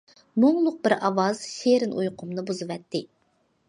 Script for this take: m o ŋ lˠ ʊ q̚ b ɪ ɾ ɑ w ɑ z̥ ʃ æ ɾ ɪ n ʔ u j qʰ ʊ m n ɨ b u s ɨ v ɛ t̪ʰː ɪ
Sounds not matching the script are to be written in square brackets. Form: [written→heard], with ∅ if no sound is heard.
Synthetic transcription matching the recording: m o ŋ lˠ ʊ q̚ b ɪ ɾ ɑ w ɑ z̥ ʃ [æ→e] ɾ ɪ n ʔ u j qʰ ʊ m n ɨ b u [s→z] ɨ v ɛ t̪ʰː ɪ